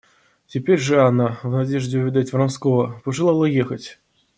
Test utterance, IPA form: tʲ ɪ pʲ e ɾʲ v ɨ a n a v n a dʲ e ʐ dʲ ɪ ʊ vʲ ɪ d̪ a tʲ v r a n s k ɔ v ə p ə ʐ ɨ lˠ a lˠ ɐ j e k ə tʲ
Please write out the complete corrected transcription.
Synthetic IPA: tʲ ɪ pʲ e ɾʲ ʐ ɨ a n a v n a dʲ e ʐ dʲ ɪ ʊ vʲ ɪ d̪ a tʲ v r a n s k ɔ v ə p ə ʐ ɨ lˠ a lˠ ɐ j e x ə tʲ